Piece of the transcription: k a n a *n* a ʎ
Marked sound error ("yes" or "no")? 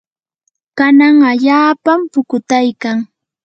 yes